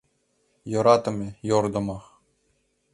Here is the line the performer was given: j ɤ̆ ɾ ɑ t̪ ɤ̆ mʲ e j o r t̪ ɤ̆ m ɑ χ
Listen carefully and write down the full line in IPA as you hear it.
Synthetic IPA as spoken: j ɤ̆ ɾ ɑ t̪ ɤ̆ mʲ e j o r d̪ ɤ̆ m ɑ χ